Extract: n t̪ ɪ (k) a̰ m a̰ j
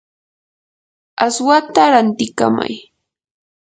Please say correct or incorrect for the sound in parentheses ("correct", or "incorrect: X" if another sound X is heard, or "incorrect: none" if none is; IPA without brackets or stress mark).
correct